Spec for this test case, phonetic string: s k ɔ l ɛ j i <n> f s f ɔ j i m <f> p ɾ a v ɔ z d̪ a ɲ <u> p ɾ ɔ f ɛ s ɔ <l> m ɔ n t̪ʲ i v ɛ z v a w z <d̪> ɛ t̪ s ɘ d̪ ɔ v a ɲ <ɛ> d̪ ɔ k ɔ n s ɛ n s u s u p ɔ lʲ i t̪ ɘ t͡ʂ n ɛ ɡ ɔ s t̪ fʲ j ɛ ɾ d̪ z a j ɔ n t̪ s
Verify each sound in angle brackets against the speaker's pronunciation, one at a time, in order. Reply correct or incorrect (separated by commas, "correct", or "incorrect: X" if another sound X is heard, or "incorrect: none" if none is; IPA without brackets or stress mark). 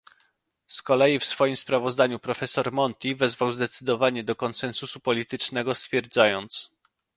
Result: incorrect: none, incorrect: s, correct, incorrect: ɾ, correct, correct